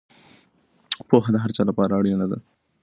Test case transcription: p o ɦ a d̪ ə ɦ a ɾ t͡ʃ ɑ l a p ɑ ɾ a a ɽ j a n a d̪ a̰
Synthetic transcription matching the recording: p o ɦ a d̪ ə ɦ a ɾ t͡ʃ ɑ l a p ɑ ɾ a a ɽ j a n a d̪ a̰